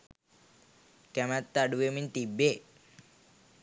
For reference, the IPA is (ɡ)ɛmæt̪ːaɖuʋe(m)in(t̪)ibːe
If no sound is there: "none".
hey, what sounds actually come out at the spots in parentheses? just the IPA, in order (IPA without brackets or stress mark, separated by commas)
k, m, t̪